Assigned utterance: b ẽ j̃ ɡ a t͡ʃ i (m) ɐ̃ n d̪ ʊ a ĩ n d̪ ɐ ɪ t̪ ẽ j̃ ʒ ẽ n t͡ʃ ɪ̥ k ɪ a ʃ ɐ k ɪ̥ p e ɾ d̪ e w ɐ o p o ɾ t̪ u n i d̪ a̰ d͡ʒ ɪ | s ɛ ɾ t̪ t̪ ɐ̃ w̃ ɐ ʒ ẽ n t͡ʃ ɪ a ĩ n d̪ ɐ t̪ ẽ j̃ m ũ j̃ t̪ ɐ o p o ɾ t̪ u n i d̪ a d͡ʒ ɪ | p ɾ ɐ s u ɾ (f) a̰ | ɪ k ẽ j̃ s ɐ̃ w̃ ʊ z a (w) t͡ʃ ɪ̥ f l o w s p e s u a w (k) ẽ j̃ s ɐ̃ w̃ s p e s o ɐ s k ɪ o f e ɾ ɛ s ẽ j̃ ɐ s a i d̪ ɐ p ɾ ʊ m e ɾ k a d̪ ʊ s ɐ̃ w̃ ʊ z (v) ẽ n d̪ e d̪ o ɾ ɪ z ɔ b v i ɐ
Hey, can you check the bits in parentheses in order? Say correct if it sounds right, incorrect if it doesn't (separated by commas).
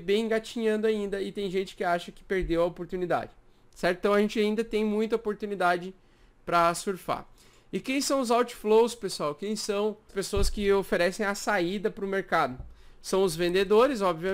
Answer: incorrect, correct, correct, correct, correct